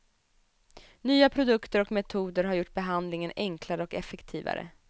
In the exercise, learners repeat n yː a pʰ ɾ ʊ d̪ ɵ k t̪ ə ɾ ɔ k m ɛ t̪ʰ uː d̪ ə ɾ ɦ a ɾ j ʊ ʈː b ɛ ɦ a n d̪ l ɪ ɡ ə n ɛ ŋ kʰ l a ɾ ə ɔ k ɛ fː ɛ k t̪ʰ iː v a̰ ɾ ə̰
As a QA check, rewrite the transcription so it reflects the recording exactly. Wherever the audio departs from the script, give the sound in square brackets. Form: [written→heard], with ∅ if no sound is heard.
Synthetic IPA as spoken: n yː a pʰ ɾ ʊ d̪ ɵ k t̪ ə ɾ ɔ k m ɛ t̪ʰ uː d̪ ə ɾ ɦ a ɾ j ʊ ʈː b ɛ ɦ a n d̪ l ɪ [ɡ→ŋ] ə n ɛ ŋ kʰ l a ɾ ə ɔ k ɛ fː ɛ k t̪ʰ iː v a̰ ɾ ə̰

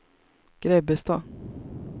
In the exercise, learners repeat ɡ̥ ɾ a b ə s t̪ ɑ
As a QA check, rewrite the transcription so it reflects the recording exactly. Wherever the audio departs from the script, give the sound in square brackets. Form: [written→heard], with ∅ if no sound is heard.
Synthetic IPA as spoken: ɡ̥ ɾ [a→ɛ] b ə s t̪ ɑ

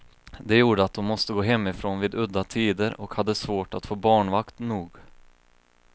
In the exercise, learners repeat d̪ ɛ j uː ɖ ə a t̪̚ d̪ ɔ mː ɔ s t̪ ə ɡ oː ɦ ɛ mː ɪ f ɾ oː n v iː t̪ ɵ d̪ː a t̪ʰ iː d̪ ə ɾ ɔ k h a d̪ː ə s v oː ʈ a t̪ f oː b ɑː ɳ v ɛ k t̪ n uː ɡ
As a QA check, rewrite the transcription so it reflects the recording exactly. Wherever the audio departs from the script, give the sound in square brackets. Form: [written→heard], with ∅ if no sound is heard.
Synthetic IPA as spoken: d̪ ɛ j uː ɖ ə a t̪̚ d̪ ɔ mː ɔ s t̪ ə ɡ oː ɦ ɛ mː ɪ f ɾ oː n v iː [t̪→d̪] ɵ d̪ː a t̪ʰ iː d̪ ə ɾ ɔ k h a d̪ː ə s v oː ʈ a t̪ f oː b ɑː ɳ v [ɛ→a] k t̪ n uː ɡ

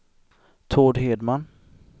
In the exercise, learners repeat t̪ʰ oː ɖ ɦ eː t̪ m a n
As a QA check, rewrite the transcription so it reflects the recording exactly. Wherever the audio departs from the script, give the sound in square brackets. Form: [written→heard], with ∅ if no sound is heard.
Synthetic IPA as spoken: t̪ʰ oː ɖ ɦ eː [t̪→d̪] m a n

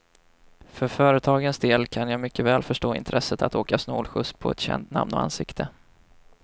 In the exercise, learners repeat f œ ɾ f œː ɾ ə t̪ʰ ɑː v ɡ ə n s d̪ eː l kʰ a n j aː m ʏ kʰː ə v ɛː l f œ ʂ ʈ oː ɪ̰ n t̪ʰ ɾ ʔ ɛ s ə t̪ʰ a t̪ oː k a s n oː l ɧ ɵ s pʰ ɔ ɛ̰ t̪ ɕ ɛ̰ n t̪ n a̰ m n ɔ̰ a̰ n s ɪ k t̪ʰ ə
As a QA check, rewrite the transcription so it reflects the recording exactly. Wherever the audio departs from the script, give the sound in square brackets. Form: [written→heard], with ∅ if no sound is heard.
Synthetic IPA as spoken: f œ ɾ f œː ɾ ə t̪ʰ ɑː [v→∅] ɡ ə n s d̪ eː l kʰ a n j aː m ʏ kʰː ə v ɛː l f œ ʂ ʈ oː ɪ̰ n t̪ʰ ɾ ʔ ɛ s ə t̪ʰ a t̪ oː k a s n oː l ɧ ɵ s pʰ ɔ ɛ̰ t̪ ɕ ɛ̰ n t̪ n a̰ m n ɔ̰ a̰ n s ɪ k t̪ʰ ə

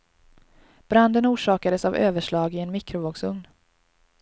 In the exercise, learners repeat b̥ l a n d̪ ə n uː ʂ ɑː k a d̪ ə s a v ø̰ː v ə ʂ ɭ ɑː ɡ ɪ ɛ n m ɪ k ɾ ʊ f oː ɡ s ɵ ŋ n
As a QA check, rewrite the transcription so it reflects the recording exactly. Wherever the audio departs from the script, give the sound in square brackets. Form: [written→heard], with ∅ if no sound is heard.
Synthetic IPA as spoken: b̥ [l→ɾ] a n d̪ ə n uː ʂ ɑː k a d̪ ə s a v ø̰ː v ə ʂ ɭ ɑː ɡ ɪ ɛ n m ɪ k ɾ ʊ [f→v] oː ɡ s ɵ ŋ n

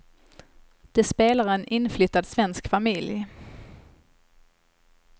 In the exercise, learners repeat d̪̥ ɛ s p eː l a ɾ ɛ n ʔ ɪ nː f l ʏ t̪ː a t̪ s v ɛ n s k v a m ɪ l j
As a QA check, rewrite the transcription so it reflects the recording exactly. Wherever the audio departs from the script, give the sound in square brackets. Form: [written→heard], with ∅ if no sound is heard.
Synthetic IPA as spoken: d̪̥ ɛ s p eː l a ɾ ɛ n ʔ ɪ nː f l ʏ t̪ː a [t̪→d̪] s v ɛ n s k [v→f] a m ɪ l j

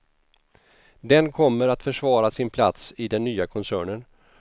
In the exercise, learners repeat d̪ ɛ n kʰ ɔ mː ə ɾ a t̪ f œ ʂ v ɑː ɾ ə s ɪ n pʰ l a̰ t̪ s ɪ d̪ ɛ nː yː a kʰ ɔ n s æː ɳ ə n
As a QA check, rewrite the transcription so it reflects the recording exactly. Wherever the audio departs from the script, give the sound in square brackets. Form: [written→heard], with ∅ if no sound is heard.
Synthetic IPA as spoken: d̪ ɛ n kʰ ɔ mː ə ɾ a t̪ f œ ʂ v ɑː ɾ [ə→a] s ɪ n pʰ l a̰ t̪ s ɪ d̪ ɛ nː yː a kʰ ɔ n s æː ɳ ə n

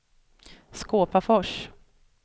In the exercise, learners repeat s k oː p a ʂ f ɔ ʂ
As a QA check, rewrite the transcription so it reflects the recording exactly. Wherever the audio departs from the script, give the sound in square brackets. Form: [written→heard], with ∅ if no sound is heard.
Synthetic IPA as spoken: s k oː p a [ʂ→∅] f ɔ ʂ

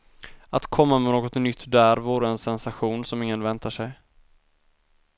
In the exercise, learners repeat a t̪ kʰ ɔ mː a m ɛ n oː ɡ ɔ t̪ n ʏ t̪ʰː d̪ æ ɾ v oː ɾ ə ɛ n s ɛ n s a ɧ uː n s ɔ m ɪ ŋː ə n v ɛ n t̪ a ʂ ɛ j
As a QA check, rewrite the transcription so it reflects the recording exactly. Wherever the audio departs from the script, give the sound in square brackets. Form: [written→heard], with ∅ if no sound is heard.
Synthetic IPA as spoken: a t̪ kʰ ɔ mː a m ɛ n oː ɡ ɔ t̪ n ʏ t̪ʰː d̪ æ ɾ v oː ɾ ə ɛ n s ɛ n s a ɧ uː n s ɔ m ɪ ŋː ə n v ɛ n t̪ a ʂ ɛ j

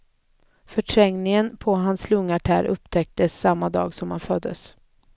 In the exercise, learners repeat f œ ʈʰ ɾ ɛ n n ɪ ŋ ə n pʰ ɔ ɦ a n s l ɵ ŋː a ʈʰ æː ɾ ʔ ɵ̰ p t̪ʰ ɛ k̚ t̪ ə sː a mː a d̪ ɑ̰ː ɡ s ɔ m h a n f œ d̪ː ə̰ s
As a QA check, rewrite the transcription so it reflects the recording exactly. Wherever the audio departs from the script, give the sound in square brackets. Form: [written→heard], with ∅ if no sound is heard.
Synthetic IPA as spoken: f œ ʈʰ ɾ ɛ [n→ŋ] n ɪ ŋ ə n pʰ ɔ ɦ a n s l ɵ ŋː a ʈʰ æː ɾ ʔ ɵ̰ p t̪ʰ ɛ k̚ t̪ ə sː a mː a d̪ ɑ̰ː ɡ s ɔ m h a n f œ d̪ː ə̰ s

